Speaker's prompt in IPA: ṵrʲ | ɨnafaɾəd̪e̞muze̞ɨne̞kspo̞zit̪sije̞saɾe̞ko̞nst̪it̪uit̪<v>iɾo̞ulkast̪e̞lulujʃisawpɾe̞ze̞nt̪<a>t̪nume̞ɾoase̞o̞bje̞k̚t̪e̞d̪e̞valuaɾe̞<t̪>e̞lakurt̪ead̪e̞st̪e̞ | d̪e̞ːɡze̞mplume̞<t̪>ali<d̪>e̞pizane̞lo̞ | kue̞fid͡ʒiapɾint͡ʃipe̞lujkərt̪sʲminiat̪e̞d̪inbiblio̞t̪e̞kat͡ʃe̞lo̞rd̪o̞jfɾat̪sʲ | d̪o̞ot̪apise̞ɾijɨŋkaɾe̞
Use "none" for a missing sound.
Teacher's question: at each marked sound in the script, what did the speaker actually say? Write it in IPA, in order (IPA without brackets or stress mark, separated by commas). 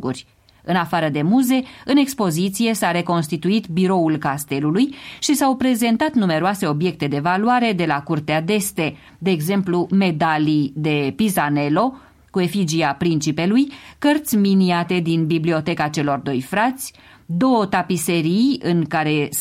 b, a, d̪, d̪, d̪